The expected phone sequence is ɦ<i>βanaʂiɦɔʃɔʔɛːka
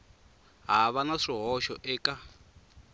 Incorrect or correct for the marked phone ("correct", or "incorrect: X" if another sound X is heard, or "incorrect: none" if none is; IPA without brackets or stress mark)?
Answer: incorrect: a